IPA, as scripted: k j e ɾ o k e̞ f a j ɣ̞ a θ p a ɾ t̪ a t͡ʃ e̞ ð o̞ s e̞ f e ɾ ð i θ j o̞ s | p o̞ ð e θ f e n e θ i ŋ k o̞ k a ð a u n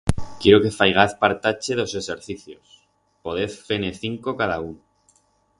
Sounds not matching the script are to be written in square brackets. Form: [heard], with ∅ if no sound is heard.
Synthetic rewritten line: k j e ɾ o k e̞ f a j ɣ̞ a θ p a ɾ t̪ a t͡ʃ e̞ ð o̞ s e̞ [s] e ɾ [θ] i θ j o̞ s | p o̞ ð e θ f e n e θ i ŋ k o̞ k a ð a u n

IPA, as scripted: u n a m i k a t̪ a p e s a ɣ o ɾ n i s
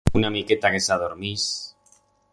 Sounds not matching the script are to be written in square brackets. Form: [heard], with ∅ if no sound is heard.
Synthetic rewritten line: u n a m i k [e] t̪ a [k] e s a [ð] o ɾ [m] i s

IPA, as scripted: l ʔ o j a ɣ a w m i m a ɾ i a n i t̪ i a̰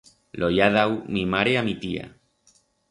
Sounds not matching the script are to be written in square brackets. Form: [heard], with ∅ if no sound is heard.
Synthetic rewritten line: l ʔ o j a [ð] a w m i m a ɾ [e] a [m] i t̪ i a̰

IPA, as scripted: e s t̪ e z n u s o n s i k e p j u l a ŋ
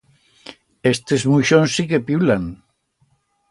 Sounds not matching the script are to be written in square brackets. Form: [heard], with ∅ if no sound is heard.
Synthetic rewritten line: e s t̪ e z [m] u [ʃ] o n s i k e p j u l a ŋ

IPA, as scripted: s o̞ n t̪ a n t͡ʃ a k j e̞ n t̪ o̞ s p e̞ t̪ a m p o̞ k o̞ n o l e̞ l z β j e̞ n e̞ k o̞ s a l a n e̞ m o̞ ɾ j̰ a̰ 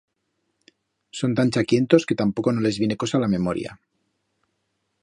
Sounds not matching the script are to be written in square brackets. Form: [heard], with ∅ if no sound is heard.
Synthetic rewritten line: s o̞ n t̪ a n t͡ʃ a k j e̞ n t̪ o̞ s [k] e̞ t̪ a m p o̞ k o̞ n o l e̞ [∅] z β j e̞ n e̞ k o̞ s a l a [m] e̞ m o̞ ɾ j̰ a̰

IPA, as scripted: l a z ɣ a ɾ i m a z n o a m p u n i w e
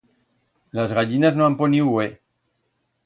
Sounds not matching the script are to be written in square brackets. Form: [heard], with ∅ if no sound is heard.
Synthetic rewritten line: l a z ɣ a [ʎ] i [n] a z n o a m p [o] n i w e

